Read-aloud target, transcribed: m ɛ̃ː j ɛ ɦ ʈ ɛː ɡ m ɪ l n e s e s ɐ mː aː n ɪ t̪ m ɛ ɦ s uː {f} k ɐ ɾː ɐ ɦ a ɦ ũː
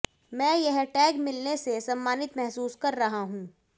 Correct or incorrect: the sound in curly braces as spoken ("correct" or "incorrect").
incorrect